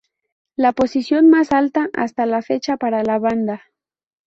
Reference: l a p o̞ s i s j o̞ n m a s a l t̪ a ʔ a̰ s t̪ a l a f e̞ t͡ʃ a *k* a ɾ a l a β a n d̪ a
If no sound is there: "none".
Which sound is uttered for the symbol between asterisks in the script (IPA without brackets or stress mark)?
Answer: p